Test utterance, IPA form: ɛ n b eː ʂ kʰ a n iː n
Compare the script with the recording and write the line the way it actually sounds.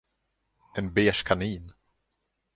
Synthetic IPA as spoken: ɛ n b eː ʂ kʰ a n iː n